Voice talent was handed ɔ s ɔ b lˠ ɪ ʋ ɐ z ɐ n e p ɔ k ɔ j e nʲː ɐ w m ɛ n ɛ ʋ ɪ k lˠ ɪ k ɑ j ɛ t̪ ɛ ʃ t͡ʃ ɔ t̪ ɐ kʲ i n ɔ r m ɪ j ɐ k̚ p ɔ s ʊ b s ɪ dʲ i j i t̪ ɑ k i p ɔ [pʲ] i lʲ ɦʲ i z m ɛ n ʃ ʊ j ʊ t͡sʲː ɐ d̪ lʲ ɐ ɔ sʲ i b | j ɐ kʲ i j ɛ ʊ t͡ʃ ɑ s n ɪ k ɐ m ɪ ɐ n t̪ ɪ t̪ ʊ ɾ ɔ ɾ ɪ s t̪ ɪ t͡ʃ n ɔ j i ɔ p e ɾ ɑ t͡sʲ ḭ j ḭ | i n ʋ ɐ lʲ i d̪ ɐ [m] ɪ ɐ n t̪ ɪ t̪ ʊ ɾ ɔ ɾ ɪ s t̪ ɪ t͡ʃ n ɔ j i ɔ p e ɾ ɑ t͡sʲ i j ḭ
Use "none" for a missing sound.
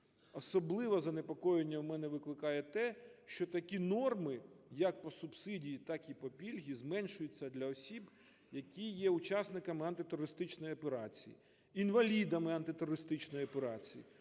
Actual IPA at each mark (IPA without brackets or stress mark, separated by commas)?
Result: pʲ, m